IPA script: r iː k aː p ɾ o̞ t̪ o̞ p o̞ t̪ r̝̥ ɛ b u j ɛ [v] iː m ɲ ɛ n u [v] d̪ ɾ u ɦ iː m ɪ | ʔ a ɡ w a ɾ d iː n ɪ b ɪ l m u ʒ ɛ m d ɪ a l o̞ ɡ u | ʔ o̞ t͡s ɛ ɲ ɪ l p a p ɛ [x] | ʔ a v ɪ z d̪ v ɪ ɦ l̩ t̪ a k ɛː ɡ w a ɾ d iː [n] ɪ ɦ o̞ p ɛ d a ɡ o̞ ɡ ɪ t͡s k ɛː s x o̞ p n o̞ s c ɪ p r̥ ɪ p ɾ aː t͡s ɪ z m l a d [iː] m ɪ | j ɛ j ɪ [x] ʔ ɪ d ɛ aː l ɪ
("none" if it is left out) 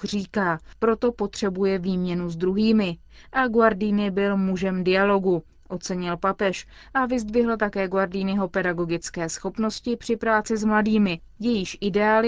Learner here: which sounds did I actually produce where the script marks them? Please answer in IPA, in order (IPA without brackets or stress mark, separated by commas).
v, z, ʃ, n, iː, ʃ